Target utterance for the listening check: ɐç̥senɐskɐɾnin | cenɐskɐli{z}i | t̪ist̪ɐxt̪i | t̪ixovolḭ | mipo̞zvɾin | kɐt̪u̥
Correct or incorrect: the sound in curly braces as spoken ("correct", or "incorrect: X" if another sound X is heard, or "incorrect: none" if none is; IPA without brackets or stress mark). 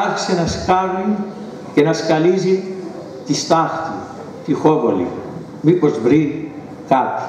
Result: correct